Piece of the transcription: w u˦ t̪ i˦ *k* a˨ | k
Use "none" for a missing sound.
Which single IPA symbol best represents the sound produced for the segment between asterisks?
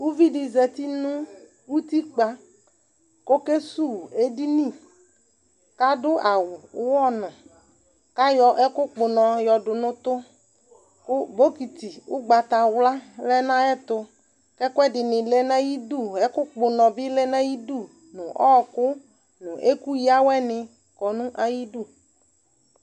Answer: k͡p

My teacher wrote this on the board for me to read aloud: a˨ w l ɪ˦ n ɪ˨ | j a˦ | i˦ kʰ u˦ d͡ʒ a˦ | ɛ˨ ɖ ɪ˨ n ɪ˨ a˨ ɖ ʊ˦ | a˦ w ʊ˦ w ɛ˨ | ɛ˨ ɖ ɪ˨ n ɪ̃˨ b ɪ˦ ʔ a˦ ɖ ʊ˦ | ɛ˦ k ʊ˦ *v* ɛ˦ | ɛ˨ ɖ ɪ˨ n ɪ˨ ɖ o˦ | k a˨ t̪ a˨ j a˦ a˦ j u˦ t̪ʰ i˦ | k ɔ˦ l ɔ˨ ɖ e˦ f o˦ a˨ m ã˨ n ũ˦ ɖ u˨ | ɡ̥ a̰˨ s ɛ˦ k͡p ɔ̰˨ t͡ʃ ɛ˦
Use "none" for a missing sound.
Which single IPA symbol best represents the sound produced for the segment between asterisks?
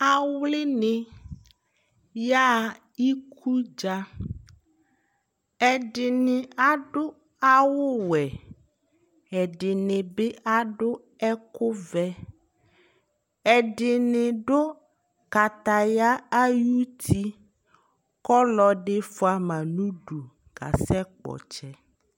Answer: v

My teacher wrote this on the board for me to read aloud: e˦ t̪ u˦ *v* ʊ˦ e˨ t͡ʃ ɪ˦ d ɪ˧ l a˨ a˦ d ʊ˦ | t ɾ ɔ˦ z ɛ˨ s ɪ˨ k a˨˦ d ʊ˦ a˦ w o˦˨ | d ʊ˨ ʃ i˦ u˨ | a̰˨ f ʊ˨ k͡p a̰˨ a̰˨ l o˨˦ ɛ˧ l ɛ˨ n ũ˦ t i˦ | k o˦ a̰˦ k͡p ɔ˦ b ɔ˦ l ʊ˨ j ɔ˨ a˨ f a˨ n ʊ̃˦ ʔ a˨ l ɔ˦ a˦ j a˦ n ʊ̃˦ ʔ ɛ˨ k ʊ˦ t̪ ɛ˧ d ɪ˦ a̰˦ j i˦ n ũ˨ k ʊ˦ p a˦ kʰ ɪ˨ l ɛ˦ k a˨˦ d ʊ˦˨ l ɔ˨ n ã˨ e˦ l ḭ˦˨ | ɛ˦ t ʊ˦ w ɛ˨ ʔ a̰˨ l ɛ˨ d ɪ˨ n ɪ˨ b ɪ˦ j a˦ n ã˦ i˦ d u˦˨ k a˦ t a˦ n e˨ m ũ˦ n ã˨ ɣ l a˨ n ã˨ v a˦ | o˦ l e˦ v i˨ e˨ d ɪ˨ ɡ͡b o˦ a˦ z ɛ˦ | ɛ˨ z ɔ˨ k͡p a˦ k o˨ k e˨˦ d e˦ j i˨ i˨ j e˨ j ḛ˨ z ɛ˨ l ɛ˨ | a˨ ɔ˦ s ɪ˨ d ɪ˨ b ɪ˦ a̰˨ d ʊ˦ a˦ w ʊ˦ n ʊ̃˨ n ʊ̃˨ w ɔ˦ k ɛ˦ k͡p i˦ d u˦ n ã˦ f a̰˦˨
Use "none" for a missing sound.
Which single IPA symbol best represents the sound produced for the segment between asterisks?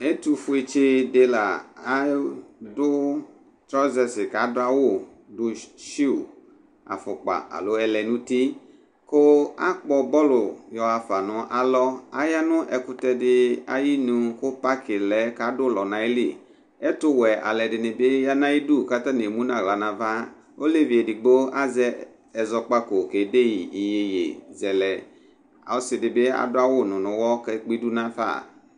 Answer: f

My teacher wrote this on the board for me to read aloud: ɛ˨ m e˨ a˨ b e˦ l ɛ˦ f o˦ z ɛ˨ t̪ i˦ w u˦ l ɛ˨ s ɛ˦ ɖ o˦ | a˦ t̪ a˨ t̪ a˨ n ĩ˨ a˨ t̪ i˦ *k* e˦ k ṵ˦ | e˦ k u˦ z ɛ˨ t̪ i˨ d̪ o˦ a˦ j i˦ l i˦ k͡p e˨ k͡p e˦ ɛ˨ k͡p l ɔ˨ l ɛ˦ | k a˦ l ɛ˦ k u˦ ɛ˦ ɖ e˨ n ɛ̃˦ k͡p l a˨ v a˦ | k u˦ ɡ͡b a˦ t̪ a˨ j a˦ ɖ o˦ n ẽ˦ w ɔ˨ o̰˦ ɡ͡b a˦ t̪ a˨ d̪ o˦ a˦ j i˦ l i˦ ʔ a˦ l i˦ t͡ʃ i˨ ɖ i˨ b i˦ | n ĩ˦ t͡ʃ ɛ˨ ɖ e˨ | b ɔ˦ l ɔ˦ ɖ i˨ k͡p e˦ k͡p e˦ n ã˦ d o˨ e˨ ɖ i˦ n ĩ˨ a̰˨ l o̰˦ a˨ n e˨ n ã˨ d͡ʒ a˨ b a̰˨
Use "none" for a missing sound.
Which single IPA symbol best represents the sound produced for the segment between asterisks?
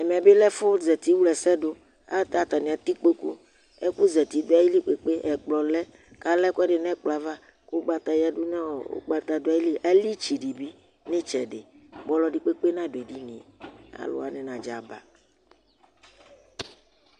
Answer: k͡p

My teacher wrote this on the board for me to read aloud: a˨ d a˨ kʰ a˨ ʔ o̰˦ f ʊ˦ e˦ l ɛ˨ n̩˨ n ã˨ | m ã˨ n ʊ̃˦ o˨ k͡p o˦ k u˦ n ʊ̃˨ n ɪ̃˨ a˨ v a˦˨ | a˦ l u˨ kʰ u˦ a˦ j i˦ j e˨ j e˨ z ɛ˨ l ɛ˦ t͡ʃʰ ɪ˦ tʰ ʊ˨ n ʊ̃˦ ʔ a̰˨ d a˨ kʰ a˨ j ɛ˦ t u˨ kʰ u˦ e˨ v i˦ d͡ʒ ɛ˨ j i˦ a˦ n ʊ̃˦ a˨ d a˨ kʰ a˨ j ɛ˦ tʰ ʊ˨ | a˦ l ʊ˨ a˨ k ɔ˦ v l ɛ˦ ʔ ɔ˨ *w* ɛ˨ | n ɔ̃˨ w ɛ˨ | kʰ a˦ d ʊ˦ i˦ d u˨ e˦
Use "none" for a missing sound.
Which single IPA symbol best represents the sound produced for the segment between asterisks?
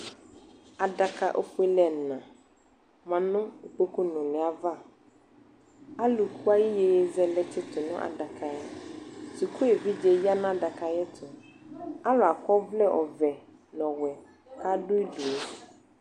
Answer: v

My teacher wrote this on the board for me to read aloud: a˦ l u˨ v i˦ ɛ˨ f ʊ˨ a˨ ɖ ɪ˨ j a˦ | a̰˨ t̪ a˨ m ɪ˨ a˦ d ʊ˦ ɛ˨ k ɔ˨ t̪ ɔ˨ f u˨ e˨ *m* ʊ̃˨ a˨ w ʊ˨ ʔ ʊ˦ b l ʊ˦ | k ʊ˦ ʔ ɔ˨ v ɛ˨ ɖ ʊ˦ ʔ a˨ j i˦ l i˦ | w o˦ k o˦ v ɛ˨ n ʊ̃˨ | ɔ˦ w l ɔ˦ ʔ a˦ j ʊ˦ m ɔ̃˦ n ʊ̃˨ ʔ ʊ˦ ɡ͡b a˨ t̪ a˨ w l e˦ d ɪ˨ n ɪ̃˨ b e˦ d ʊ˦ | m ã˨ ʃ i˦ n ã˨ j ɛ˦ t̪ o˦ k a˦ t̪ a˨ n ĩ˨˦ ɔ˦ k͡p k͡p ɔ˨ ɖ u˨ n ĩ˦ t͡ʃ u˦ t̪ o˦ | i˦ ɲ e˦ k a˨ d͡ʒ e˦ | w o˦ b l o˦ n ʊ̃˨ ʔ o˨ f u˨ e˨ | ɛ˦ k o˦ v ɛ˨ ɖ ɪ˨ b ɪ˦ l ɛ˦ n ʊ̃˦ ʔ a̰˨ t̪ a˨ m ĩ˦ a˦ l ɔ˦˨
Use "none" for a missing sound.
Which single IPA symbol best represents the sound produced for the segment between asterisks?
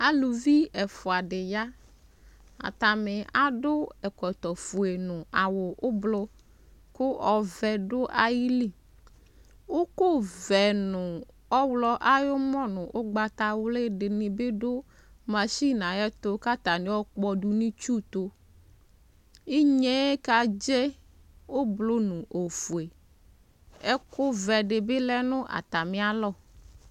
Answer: n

